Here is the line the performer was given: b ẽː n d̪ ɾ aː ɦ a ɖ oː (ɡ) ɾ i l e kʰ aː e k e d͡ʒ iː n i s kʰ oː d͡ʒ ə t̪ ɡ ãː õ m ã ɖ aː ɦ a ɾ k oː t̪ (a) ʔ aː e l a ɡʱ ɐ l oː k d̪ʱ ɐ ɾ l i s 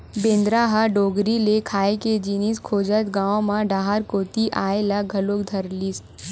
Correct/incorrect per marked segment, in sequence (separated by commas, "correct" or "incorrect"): correct, incorrect